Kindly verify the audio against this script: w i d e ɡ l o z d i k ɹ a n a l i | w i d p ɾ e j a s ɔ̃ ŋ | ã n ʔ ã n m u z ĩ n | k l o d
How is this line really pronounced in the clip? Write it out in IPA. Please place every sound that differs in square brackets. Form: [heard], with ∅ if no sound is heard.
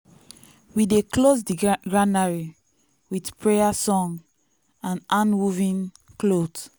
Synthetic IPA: w i d e [k] l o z d i [ɡ] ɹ a n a [ɹ] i | w i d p [ɹ] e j a s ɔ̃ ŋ | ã n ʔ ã n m u [v] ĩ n | k l o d